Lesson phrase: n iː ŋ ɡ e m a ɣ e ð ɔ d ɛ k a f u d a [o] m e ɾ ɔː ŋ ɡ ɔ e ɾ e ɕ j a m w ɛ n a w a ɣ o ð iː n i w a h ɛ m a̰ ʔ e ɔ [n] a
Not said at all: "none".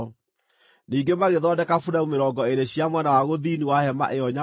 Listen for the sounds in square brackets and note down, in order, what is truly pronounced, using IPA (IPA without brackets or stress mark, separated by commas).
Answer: u, ɲ